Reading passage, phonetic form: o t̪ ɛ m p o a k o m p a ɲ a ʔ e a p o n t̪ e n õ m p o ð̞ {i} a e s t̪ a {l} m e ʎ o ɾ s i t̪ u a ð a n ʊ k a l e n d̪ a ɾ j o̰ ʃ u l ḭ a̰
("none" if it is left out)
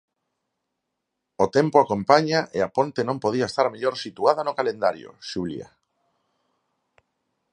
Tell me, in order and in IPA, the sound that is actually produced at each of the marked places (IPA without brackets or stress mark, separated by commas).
i, ɾ